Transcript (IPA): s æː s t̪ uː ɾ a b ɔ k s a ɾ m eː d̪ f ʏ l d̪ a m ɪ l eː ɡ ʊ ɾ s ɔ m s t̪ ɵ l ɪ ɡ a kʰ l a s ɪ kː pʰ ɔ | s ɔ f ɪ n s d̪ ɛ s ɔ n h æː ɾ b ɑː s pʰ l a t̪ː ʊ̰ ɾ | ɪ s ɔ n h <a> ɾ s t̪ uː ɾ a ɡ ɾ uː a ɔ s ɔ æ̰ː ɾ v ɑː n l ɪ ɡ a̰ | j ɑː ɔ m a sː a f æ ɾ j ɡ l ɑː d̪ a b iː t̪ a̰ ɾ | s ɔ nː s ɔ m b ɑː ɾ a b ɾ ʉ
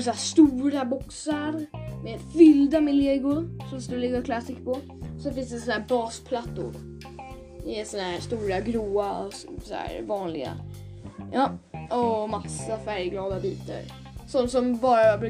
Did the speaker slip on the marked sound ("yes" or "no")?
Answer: yes